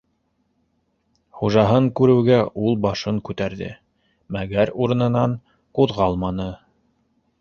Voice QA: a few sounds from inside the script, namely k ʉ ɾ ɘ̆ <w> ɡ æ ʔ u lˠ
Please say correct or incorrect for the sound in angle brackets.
correct